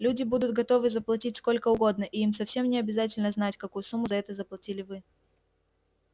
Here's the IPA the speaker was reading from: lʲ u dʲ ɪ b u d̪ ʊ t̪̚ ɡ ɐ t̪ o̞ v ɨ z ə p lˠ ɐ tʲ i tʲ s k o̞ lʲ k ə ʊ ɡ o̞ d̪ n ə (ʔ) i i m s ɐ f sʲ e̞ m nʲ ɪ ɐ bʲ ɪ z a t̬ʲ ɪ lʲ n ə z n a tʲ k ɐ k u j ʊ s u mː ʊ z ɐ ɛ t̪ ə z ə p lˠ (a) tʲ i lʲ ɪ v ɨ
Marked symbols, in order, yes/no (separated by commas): yes, no